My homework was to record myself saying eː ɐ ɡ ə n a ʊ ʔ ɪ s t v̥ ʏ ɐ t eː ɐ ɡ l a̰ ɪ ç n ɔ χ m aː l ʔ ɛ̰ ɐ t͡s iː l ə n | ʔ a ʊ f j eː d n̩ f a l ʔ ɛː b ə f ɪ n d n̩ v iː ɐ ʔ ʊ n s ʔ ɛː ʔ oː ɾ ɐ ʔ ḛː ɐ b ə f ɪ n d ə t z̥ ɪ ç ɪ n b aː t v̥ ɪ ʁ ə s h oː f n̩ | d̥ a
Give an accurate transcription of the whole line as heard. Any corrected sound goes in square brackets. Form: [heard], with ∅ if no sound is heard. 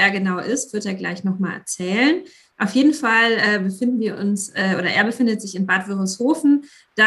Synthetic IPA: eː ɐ ɡ ə n a ʊ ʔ ɪ s t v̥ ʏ ɐ t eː ɐ ɡ l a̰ ɪ ç n ɔ χ m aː l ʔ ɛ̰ ɐ t͡s [ɛː] l ə n | ʔ a ʊ f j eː d n̩ f a l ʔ ɛː b ə f ɪ n d n̩ v iː ɐ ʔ ʊ n s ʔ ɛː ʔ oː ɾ ɐ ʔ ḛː ɐ b ə f ɪ n d ə t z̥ ɪ ç ɪ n b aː t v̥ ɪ ʁ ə s h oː f n̩ | d̥ a